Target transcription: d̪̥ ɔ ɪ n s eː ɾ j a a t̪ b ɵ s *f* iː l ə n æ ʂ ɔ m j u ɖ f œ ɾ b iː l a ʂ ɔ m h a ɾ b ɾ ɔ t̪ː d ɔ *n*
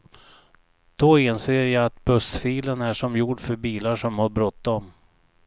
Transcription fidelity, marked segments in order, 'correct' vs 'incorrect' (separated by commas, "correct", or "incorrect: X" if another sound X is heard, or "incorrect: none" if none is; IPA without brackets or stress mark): correct, incorrect: m